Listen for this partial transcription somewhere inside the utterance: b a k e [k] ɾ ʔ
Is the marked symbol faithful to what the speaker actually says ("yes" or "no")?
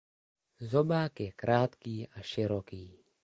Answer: yes